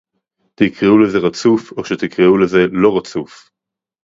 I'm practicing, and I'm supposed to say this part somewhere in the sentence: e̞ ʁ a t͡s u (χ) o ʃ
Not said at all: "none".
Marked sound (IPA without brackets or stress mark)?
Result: f